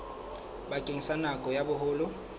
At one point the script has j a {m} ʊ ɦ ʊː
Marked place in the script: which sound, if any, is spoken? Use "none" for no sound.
b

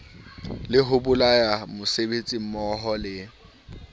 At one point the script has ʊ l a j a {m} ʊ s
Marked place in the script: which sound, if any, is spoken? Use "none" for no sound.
m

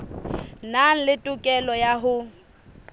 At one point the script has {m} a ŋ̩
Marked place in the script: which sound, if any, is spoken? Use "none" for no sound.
n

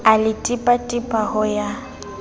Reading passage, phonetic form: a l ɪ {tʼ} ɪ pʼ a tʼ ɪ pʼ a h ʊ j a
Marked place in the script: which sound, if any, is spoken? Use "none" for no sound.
tʼ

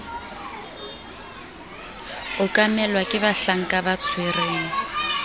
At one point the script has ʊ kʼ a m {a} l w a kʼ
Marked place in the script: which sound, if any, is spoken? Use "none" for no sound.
ɛ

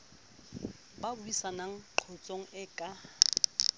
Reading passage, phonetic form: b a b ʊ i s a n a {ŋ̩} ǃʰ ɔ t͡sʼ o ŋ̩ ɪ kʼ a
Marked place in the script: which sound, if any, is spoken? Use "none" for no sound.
ŋ̩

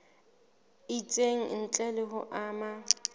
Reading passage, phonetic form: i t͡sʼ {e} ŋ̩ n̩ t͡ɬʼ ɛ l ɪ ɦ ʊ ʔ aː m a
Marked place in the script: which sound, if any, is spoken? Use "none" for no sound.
e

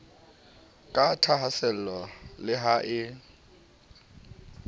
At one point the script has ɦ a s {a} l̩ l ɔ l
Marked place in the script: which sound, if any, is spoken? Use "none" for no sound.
ɛ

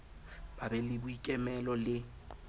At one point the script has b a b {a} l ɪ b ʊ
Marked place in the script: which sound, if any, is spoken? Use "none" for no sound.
ɛ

